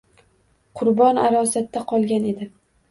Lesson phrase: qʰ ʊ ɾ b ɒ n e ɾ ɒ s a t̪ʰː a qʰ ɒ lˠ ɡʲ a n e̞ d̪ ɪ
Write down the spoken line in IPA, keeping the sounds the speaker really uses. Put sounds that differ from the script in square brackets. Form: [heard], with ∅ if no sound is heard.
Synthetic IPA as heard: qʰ ʊ ɾ b ɒ n [a] ɾ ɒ s a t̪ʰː a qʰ ɒ lˠ ɡʲ a n e̞ d̪ ɪ